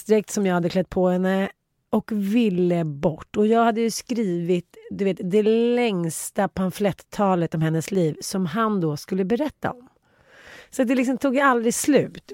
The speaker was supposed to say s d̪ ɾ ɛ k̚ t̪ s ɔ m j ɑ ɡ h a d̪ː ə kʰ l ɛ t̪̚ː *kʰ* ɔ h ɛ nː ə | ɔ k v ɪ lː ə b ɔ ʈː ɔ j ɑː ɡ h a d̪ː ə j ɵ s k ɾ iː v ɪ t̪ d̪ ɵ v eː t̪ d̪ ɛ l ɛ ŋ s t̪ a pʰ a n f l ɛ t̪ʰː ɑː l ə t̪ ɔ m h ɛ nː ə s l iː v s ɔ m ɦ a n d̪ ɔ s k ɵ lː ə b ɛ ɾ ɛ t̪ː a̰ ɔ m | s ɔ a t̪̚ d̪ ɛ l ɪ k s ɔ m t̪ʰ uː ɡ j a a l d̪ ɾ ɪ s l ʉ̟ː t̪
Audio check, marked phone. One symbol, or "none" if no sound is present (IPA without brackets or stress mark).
pʰ